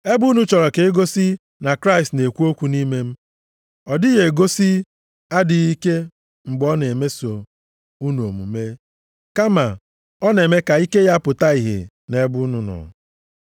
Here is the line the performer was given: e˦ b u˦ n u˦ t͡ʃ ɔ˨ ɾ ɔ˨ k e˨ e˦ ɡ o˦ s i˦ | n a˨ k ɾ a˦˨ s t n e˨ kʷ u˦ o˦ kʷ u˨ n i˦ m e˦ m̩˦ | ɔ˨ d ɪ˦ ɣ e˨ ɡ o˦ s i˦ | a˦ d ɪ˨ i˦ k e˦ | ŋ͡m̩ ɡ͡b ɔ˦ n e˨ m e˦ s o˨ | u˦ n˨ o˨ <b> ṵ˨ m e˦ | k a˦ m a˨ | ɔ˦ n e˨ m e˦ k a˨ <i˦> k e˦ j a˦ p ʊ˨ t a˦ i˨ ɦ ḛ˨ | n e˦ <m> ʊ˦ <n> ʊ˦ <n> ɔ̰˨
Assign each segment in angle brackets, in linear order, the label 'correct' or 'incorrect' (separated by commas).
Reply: incorrect, correct, incorrect, correct, correct